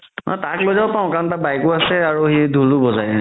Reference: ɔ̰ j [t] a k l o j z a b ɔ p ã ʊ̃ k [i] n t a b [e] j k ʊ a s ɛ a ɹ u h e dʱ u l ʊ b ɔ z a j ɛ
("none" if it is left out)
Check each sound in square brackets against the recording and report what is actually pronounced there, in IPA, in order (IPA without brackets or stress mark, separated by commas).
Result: t, a, a